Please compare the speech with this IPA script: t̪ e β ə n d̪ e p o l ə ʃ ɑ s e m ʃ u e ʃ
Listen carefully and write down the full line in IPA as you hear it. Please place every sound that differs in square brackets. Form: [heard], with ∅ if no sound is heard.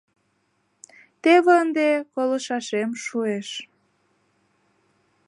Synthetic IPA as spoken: t̪ e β ə n d̪ e [k] o l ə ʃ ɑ [ʃ] e m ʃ u e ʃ

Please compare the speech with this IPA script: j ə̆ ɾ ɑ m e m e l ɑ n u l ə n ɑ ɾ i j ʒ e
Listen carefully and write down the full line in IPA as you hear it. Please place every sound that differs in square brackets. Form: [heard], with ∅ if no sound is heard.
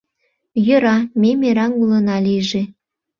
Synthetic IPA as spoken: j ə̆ ɾ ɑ m e m e [ɾ] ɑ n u l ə n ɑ [l] i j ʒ e

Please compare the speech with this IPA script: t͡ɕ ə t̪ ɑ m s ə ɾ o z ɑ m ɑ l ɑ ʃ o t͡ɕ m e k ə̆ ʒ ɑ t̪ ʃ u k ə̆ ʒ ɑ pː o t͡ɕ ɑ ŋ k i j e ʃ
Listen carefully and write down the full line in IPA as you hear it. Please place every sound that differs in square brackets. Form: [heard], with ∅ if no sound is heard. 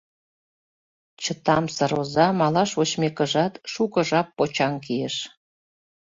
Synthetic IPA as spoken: t͡ɕ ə t̪ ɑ m s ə ɾ o z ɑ m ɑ l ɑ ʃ o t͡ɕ m e k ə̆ ʒ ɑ t̪ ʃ u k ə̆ ʒ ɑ pː o t͡ɕ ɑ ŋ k i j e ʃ

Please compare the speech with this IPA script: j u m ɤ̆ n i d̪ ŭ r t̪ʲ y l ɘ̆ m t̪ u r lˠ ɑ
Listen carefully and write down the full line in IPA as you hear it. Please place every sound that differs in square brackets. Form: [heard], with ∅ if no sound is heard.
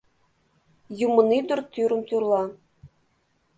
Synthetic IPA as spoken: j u m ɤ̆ n i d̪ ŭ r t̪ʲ y [ɾ] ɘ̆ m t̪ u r lˠ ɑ

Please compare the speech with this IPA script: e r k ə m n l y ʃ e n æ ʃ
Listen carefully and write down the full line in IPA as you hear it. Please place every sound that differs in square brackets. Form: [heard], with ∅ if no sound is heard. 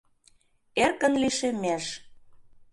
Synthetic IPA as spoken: e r k ə [∅] n l [i] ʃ e [m] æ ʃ

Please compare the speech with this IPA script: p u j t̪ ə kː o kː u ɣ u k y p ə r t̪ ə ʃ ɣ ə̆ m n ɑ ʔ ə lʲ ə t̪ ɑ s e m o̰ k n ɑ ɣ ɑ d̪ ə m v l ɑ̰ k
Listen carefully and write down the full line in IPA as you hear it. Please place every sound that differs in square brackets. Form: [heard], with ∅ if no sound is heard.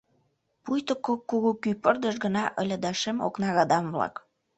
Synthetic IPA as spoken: p u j t̪ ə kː o kː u ɣ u k y p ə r [d̪] ə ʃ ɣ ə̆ [∅] n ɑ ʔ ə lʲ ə [d̪] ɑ [ʃ] e m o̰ k n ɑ ɣ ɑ d̪ [ɑ] m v l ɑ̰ k

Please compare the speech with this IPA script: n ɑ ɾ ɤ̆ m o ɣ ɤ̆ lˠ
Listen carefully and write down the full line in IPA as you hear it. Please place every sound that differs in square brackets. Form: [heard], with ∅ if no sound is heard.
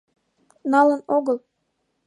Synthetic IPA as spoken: n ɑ [l] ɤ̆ [n] o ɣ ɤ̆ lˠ

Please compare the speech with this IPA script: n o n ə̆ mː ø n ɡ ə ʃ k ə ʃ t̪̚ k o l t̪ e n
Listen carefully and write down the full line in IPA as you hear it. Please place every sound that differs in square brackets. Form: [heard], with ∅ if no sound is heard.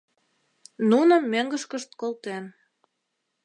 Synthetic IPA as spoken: n [u] n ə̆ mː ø [ŋ] ɡ ə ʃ k ə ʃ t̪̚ k o l t̪ e n

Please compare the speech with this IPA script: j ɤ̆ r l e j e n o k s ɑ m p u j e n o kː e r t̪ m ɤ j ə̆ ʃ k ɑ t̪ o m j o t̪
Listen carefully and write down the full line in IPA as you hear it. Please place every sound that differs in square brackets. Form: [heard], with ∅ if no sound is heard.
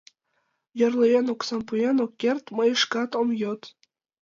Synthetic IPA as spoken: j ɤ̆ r l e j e n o k s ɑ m p u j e n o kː e r t̪ m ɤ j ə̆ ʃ k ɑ t̪ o m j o t̪

